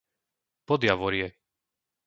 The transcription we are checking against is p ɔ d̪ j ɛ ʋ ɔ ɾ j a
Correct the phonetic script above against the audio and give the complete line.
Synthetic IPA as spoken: p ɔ d̪ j a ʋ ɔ ɾ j ɛ